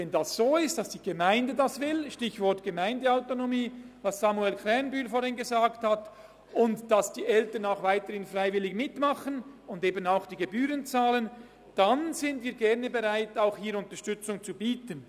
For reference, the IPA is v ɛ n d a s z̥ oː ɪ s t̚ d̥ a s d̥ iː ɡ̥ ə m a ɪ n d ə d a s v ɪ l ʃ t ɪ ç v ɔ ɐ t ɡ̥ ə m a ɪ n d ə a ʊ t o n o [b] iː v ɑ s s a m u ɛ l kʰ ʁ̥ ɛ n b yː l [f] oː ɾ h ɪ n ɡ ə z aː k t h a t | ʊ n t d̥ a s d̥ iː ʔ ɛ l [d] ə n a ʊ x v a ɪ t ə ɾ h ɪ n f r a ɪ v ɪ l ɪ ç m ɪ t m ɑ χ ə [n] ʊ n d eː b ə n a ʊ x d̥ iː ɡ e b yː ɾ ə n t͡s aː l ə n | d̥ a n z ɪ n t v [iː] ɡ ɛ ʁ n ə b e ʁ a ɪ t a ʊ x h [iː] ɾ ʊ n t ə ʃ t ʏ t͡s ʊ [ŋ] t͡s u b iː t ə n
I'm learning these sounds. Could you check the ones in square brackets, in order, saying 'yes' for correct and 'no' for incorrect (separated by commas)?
no, yes, no, yes, yes, yes, yes